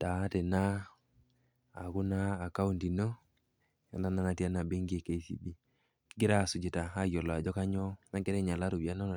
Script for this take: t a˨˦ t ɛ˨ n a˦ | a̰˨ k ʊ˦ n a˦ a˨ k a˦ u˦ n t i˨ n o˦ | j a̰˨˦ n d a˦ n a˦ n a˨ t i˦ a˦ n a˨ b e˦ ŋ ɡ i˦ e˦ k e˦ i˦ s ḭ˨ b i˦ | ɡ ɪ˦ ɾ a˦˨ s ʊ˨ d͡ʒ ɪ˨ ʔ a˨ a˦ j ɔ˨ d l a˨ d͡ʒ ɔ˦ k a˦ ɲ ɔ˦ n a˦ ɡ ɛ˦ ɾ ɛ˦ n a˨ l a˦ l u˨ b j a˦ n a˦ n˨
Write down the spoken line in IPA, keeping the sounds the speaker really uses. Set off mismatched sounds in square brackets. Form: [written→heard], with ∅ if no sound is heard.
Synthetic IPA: t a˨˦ t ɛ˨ n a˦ | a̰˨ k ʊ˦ n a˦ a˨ k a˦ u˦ n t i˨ n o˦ | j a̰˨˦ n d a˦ n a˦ n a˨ t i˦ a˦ n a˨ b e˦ ŋ ɡ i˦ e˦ k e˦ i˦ s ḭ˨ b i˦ | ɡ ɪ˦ ɾ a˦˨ s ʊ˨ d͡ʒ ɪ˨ [ʔ→t] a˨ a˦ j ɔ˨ [d→∅] l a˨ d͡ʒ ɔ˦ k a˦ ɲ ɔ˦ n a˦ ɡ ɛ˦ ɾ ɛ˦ [n→ɲ] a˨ l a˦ [l→ɾ] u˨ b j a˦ n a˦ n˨